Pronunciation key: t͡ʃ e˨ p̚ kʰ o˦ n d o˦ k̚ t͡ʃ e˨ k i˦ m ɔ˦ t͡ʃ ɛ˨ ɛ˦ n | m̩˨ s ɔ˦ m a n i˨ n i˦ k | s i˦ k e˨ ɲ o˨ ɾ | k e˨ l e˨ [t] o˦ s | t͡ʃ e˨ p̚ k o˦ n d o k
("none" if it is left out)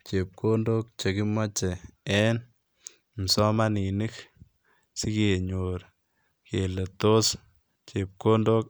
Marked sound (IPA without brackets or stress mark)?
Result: t